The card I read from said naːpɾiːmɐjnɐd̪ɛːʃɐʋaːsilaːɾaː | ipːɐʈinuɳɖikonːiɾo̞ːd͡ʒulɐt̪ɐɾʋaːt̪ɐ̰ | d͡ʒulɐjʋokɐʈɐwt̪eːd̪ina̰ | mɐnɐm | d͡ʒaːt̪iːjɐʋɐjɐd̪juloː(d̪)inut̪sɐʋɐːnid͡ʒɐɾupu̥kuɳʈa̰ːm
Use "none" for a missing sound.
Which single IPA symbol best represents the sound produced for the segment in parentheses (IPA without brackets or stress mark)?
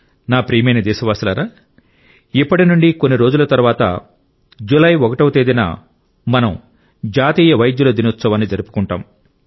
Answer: d̪